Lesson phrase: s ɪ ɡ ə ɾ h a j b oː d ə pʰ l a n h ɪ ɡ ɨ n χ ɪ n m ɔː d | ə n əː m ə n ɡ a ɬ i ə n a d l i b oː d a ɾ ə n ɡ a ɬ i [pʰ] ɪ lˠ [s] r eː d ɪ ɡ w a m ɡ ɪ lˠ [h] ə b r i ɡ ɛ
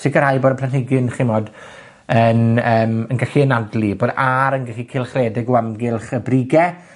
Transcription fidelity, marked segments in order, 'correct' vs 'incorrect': incorrect: kʰ, incorrect: χ, incorrect: χ

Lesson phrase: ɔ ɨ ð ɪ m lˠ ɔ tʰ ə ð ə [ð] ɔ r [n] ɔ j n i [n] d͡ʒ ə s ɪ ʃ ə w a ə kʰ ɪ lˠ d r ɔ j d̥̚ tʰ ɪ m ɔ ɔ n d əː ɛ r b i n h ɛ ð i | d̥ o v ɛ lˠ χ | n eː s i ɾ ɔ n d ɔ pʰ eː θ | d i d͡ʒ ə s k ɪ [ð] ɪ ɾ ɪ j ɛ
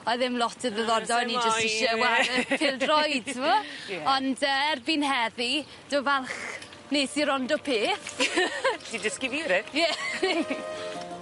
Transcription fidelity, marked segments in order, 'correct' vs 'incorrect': correct, incorrect: d, incorrect: none, incorrect: v

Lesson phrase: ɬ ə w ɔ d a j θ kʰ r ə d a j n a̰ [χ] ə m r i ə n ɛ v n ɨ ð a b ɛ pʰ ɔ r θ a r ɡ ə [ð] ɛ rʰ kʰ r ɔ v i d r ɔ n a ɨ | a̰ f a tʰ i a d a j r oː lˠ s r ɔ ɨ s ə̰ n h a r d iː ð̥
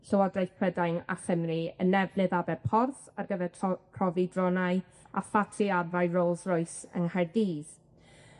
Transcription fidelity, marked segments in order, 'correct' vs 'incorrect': correct, incorrect: v

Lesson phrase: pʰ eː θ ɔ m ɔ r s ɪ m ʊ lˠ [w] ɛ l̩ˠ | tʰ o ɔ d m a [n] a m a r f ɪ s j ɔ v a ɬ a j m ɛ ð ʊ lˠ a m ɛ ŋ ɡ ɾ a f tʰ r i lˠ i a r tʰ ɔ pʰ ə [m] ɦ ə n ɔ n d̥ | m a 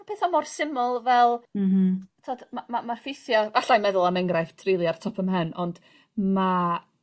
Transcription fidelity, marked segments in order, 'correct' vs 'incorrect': incorrect: v, incorrect: m, correct

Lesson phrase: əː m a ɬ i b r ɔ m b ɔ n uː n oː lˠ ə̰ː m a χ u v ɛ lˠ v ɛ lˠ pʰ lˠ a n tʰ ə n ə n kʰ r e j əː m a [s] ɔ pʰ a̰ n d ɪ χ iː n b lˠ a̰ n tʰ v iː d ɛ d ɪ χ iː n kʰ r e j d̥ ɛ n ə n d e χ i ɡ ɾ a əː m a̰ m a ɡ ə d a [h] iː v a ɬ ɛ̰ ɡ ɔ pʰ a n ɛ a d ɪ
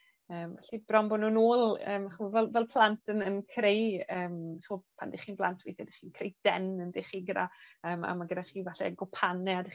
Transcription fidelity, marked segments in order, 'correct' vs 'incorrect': incorrect: χ, incorrect: χ

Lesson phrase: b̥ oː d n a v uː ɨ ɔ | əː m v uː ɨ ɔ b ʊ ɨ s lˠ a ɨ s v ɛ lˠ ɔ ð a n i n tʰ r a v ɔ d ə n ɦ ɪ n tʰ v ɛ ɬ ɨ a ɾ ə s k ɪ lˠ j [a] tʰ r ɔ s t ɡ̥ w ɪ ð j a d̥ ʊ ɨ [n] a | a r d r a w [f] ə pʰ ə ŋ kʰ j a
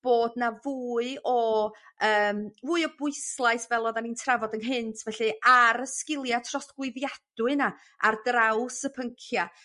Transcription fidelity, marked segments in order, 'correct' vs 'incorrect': correct, correct, incorrect: s

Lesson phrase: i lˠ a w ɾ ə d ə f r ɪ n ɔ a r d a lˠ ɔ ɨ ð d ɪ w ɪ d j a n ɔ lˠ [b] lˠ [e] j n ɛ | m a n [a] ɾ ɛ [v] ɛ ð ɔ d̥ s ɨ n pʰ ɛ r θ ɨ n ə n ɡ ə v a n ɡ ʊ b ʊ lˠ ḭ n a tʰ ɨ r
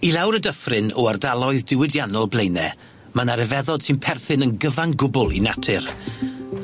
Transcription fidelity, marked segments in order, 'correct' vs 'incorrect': correct, correct, correct, correct

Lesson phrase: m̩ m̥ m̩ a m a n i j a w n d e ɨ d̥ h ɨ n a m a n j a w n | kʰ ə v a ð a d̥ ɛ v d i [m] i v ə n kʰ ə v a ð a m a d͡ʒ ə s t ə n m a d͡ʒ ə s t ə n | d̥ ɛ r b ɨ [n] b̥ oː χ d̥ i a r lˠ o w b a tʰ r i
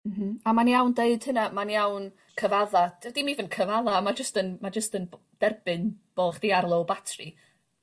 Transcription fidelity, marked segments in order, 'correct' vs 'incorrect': correct, correct

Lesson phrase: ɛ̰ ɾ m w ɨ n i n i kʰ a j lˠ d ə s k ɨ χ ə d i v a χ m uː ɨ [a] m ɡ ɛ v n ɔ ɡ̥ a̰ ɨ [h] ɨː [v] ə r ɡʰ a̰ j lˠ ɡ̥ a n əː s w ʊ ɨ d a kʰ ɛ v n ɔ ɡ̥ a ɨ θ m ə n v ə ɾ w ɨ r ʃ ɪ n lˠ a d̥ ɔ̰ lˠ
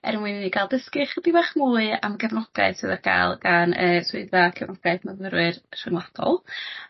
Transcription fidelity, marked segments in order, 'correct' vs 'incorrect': correct, incorrect: s, incorrect: ð

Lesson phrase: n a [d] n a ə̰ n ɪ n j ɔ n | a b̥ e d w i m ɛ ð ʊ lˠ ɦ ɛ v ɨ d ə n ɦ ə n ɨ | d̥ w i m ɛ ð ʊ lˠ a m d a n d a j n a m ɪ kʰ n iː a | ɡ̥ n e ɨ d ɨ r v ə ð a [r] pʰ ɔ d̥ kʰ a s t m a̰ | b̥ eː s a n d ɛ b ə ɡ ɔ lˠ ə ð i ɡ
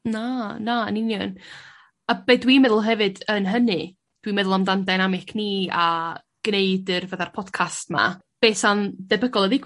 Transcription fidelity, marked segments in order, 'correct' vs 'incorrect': incorrect: none, correct

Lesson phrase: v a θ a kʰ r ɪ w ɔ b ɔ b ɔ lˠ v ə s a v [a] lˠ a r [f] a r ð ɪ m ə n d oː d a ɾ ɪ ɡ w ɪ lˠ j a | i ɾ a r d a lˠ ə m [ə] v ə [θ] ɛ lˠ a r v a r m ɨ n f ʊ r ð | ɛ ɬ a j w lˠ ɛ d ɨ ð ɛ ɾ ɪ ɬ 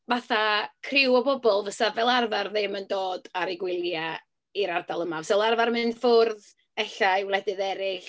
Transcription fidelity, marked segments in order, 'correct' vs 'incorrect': incorrect: ɛ, incorrect: v, incorrect: a, incorrect: s

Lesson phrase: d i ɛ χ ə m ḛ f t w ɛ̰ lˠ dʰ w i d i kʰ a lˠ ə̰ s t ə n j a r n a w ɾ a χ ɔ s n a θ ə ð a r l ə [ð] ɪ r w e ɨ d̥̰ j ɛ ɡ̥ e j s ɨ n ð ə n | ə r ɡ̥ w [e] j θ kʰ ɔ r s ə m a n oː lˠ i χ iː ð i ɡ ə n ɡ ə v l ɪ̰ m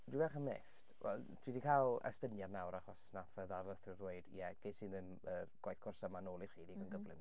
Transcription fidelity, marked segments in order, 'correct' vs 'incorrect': incorrect: θ, incorrect: a

